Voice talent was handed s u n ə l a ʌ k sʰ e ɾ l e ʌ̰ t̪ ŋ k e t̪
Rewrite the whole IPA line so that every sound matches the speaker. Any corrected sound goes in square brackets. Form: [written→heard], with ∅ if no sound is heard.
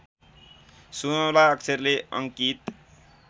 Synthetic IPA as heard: s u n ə l a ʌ k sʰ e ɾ l e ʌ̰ [t̪→∅] ŋ k [e→i] t̪